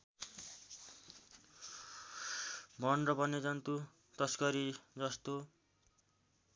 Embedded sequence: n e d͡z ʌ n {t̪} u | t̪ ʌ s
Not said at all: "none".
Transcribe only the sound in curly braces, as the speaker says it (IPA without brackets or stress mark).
t̪